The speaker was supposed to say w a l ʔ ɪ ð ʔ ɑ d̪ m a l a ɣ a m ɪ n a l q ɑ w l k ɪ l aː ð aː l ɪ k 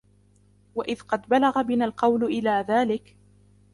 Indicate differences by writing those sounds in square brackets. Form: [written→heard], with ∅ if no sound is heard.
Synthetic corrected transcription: w a [l→∅] ʔ ɪ ð [ʔ→q] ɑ d̪ [m→b] a l a ɣ a [m→b] ɪ n a l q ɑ w l [k→ʔ] ɪ l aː ð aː l ɪ k

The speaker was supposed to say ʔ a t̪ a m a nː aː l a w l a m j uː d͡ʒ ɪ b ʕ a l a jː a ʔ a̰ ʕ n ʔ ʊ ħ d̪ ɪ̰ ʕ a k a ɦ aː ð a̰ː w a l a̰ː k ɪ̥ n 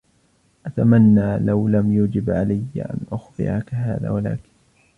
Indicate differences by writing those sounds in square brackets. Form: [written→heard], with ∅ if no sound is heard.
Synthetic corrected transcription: ʔ a t̪ a m a nː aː l a w l a m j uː d͡ʒ ɪ b ʕ a l a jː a ʔ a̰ [ʕ→∅] n ʔ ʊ [ħ→x] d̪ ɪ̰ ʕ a k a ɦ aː ð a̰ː w a l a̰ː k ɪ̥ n

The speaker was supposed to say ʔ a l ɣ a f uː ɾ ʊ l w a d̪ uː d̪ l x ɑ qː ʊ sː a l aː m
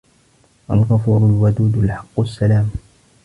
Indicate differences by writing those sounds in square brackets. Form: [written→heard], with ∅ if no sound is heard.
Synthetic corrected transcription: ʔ a l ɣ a f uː ɾ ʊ l w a d̪ uː d̪ l [x→ħ] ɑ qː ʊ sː a l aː m

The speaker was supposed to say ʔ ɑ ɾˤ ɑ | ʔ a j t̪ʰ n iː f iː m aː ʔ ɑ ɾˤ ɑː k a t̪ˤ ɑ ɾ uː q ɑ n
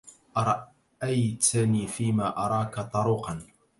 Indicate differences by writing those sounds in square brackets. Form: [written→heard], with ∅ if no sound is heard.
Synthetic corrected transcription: ʔ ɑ ɾˤ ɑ | ʔ a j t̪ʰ n iː f iː m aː ʔ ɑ ɾˤ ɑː k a t̪ˤ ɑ ɾ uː q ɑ n

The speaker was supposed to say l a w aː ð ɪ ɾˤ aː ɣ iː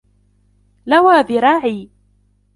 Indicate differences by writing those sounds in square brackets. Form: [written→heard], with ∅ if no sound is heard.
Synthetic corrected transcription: l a w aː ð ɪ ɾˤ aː [ɣ→ʕ] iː

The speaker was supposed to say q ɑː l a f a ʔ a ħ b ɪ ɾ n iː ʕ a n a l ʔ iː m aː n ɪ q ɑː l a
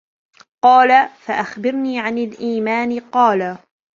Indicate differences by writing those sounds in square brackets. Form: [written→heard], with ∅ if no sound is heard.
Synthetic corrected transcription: q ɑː l a f a ʔ a [ħ→x] b ɪ ɾ n iː ʕ a n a l ʔ iː m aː n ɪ q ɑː l a

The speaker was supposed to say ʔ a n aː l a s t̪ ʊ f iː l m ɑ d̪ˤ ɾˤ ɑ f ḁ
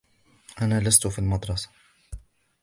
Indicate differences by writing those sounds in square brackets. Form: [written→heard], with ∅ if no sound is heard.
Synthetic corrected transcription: ʔ a n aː l a s t̪ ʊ f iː l m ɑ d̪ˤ ɾˤ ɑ [f→s] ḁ

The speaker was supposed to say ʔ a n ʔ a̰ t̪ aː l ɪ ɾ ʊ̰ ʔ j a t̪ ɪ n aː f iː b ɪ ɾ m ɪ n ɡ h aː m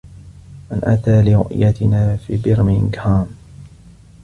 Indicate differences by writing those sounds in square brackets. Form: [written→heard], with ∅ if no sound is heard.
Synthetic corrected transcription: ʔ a n ʔ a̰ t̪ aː l ɪ ɾ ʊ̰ ʔ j a t̪ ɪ n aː f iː b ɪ ɾ m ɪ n ɡ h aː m

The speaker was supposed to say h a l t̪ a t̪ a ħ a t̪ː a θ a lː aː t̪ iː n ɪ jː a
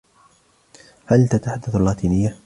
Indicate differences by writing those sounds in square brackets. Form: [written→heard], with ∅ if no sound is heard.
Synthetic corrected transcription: h a l t̪ a t̪ a ħ a [t̪ː→d̪ː] a θ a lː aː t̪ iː n ɪ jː a

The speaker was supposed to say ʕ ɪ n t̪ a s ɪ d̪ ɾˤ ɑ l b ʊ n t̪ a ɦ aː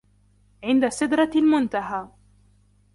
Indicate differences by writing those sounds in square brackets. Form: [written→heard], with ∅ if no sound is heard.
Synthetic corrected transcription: ʕ ɪ n [t̪→d̪] a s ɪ d̪ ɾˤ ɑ l [b→m] ʊ n t̪ a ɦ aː

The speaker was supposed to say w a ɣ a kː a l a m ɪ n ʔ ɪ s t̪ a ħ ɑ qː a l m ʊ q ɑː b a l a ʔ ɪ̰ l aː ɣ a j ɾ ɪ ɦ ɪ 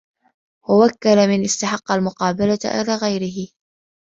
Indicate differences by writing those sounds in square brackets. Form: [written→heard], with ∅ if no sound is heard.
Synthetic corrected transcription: w a [ɣ→w] a kː a l a m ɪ n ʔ ɪ s t̪ a ħ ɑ qː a l m ʊ q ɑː b a l a ʔ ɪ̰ l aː ɣ a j ɾ ɪ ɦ ɪ

